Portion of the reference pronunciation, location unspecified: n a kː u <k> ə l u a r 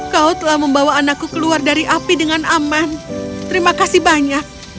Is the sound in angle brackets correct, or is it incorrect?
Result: correct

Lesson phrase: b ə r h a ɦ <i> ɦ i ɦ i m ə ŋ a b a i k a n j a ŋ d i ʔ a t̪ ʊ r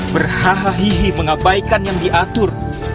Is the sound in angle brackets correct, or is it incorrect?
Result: incorrect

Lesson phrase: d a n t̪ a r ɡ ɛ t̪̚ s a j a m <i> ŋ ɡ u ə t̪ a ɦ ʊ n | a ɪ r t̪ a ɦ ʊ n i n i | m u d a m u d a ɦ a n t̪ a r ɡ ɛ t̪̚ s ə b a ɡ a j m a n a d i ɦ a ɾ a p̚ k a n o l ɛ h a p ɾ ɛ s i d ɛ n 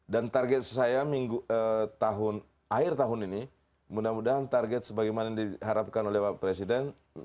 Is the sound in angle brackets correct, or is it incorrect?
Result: correct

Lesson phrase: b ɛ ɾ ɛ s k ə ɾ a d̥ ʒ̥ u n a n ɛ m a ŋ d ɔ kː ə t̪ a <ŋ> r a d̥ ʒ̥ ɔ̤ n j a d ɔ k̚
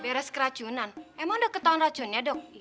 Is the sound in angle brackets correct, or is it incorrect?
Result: incorrect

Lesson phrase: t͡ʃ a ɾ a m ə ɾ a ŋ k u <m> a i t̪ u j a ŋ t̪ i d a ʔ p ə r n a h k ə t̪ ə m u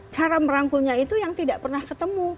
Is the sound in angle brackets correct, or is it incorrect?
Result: incorrect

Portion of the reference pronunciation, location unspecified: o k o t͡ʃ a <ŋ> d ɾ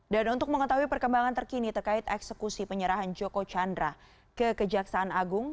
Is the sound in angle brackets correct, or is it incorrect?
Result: incorrect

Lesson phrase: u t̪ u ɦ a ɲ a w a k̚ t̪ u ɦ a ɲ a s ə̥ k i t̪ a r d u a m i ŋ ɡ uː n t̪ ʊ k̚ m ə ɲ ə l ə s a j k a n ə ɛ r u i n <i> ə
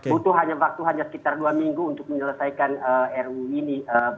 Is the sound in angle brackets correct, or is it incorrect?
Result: correct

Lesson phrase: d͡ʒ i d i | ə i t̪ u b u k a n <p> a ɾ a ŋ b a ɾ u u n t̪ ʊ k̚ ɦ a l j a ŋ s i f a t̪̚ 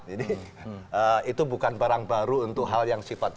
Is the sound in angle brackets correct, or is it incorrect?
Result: incorrect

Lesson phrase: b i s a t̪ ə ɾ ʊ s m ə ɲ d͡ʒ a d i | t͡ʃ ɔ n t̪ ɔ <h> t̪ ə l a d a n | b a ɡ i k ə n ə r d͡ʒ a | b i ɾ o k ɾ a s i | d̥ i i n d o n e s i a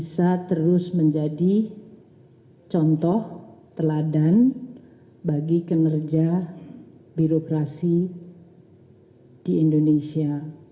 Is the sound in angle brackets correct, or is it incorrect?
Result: correct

